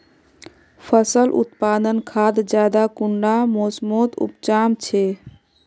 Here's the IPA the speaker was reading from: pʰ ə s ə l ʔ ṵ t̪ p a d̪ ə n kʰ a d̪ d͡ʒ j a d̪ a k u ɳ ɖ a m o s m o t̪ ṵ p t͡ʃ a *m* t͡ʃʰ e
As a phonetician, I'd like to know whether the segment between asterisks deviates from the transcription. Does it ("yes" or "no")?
no